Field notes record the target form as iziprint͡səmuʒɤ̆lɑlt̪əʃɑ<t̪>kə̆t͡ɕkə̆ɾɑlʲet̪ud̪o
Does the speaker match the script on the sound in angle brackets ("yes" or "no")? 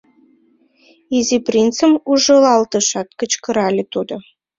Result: yes